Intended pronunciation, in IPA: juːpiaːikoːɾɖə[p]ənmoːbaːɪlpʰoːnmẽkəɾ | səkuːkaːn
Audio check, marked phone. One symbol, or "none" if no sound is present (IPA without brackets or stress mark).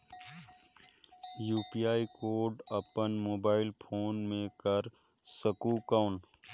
p